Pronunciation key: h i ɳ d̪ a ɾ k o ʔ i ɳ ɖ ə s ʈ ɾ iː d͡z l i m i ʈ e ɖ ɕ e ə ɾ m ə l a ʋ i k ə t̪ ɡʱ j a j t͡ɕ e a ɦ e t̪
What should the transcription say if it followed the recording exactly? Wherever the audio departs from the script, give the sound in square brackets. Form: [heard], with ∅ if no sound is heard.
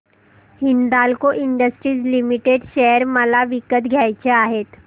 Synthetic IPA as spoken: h i [n] d̪ a [l] k o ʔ i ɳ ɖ ə s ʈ ɾ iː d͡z l i m i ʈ e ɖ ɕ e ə ɾ m ə l a ʋ i k ə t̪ ɡʱ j a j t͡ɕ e a ɦ e t̪